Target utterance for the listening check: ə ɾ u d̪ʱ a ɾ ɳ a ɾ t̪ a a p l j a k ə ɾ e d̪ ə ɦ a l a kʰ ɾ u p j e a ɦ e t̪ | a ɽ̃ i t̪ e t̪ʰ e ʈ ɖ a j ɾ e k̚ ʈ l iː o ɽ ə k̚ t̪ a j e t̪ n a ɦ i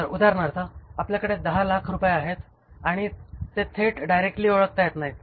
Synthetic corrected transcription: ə ɾ u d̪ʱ a ɾ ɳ a ɾ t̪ a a p l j a k ə ɽ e d̪ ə ɦ a l a kʰ ɾ u p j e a ɦ e t̪ | a ɽ̃ i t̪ e t̪ʰ e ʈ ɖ a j ɾ e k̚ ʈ l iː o ɭ ə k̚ t̪ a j e t̪ n a ɦ i